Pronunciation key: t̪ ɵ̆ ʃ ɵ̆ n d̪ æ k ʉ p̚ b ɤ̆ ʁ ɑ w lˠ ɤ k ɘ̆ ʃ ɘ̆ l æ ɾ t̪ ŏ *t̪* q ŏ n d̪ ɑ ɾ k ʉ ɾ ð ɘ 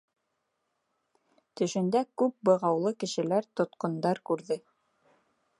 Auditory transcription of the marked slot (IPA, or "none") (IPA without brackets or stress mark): t̪